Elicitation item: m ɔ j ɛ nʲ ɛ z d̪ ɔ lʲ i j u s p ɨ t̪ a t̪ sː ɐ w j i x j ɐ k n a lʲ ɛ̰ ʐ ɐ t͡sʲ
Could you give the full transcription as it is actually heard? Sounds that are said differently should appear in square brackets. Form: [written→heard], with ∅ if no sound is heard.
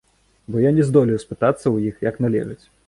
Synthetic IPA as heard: [m→b] ɔ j [ɛ→a] nʲ ɛ z d̪ ɔ lʲ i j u s p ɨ t̪ a t̪ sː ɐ w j i x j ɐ k n a lʲ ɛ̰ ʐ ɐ t͡sʲ